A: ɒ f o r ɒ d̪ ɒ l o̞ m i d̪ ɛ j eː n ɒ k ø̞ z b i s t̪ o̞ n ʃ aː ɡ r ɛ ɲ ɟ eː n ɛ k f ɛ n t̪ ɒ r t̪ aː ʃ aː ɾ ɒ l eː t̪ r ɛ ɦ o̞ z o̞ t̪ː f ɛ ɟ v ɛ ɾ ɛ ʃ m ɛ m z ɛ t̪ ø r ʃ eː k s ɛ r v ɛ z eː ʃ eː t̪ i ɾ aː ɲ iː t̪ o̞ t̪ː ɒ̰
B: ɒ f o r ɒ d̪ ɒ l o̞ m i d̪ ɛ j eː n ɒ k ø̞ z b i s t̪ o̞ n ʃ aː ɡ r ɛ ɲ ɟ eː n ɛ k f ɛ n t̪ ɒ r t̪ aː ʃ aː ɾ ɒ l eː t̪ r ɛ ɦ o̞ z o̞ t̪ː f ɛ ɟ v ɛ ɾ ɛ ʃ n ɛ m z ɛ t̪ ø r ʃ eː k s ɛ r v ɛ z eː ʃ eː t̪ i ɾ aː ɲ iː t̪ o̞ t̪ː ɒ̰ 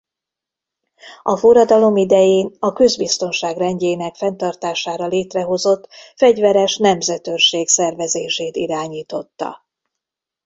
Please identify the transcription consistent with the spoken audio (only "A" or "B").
B